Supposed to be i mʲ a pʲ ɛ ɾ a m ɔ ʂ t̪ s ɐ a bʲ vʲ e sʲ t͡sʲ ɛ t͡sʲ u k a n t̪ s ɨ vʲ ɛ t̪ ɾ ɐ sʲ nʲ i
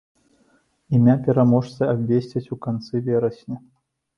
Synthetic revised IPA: i mʲ a pʲ ɛ ɾ a m ɔ ʂ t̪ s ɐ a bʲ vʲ e sʲ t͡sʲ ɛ t͡sʲ u k a n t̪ s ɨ vʲ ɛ ɾ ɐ sʲ nʲ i